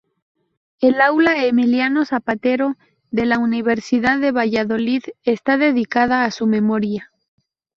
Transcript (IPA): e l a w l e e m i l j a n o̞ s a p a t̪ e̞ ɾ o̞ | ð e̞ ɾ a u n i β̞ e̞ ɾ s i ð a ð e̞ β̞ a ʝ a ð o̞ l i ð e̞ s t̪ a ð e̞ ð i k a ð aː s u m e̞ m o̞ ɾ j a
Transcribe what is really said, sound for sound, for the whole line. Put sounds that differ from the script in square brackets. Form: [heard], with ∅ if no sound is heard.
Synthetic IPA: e l a w l [a] e m i l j a n o̞ s a p a t̪ e̞ ɾ o̞ | ð e̞ [l] a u n i β̞ e̞ ɾ s i ð a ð e̞ β̞ a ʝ a ð o̞ l i ð e̞ s t̪ a ð e̞ ð i k a ð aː s u m e̞ m o̞ ɾ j a